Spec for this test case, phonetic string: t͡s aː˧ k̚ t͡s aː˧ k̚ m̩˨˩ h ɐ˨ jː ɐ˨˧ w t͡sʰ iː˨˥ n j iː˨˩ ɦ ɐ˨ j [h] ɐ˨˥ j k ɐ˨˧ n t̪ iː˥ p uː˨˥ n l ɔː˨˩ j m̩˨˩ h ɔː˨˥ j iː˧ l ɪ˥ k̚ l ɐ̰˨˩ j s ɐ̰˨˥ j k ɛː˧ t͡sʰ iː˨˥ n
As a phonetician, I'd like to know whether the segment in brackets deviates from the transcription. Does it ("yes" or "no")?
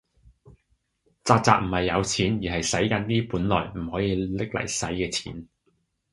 yes